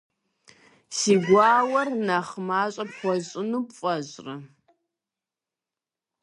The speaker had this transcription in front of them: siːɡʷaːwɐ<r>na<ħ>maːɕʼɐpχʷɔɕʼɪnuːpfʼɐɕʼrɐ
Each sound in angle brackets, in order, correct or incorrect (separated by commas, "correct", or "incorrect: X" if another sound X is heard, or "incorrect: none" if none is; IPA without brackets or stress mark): correct, incorrect: χ